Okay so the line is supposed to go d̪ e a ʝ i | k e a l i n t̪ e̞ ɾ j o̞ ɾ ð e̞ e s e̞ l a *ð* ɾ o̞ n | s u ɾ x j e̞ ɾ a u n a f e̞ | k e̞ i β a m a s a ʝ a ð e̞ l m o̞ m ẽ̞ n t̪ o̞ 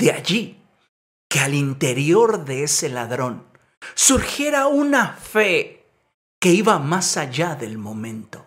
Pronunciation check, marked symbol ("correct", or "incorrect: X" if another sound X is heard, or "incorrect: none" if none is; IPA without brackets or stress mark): correct